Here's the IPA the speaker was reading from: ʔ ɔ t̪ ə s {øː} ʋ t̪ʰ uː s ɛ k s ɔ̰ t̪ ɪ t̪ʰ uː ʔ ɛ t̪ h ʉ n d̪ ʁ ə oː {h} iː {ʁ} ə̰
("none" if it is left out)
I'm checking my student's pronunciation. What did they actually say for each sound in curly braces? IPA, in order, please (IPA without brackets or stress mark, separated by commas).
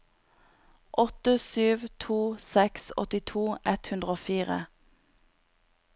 yː, f, ʁ